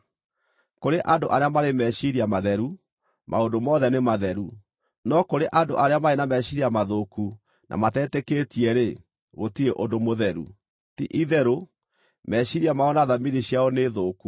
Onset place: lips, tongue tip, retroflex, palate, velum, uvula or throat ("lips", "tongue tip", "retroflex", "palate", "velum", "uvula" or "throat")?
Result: velum